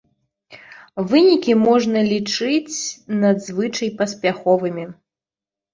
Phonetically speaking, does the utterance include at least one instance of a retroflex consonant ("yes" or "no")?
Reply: yes